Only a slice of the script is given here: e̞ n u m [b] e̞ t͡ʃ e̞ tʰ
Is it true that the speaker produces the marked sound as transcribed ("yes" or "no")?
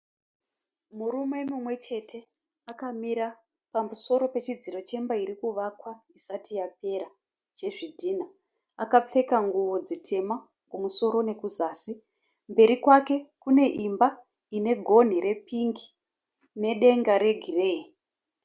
no